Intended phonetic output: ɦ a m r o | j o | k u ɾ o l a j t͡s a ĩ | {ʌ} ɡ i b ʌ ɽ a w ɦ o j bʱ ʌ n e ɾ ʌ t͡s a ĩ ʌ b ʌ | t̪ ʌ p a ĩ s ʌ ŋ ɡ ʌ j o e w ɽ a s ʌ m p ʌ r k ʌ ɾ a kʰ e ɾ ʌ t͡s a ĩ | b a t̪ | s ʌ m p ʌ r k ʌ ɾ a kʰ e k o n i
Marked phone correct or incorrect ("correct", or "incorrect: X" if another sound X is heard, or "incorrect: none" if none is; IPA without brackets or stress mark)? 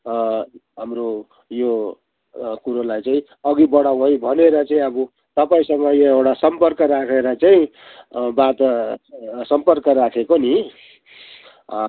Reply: correct